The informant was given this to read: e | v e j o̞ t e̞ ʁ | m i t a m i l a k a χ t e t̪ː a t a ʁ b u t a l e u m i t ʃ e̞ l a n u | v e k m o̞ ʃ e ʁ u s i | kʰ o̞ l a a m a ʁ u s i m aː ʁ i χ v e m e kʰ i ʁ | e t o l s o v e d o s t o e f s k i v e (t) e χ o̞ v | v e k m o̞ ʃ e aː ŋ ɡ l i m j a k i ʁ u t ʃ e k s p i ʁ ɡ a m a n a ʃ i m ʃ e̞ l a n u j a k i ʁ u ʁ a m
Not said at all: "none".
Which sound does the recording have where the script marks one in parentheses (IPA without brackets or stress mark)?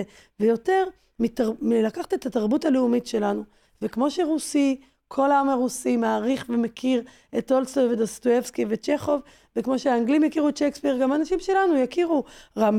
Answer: t͡ʃ